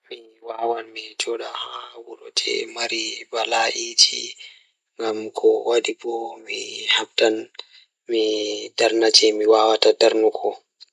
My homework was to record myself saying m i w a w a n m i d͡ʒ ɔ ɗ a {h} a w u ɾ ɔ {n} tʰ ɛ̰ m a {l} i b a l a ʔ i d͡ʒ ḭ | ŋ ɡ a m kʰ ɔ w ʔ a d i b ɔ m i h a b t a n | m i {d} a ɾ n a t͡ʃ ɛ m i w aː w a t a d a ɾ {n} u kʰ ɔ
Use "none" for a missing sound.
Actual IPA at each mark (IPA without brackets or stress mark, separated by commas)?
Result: h, none, ɾ, d, n